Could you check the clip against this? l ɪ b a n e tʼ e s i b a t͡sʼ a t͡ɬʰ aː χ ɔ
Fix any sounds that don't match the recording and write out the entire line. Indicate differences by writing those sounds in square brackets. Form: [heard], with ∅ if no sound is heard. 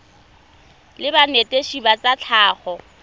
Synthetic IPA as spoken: l ɪ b a n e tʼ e [ʃ] i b a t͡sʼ a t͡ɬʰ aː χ ɔ